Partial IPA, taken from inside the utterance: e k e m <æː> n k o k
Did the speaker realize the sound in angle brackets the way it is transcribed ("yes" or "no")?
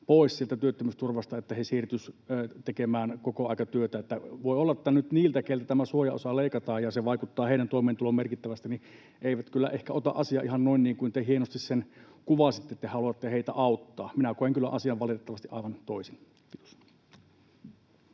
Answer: yes